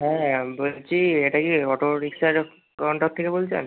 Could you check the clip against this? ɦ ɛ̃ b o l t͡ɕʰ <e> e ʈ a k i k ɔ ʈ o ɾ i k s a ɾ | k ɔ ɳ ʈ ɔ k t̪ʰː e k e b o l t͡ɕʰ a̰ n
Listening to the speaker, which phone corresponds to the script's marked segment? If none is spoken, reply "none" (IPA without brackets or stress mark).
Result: i